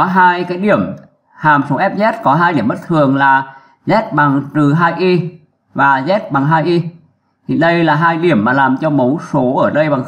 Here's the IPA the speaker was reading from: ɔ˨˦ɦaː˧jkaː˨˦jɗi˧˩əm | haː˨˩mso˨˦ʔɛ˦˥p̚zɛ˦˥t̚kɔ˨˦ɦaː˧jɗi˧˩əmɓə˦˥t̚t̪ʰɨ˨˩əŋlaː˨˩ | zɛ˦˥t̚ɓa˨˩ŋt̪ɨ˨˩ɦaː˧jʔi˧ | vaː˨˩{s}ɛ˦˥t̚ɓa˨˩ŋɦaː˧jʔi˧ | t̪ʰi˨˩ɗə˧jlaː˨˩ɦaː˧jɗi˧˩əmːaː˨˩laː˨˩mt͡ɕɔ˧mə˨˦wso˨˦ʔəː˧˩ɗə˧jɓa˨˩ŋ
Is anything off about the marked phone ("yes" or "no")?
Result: yes